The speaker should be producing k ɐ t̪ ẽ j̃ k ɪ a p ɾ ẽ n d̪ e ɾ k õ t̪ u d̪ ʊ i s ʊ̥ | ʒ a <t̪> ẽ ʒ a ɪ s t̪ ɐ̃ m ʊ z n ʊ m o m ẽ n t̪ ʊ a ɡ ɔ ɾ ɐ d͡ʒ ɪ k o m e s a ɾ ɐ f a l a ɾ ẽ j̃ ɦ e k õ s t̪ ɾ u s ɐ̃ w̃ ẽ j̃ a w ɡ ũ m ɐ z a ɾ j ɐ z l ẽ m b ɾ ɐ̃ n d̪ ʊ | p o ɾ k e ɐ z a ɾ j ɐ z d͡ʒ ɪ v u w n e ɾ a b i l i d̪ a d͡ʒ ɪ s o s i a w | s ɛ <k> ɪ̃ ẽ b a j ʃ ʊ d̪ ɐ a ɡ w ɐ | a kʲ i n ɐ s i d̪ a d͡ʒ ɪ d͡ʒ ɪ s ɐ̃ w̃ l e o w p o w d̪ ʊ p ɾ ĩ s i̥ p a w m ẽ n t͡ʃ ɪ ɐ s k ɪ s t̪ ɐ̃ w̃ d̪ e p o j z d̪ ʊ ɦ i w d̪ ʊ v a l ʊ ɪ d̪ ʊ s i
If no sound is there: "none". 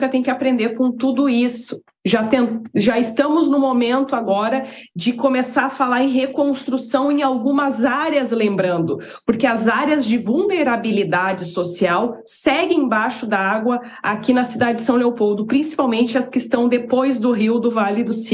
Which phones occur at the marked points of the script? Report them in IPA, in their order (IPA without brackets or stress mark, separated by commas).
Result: t̪, ɡ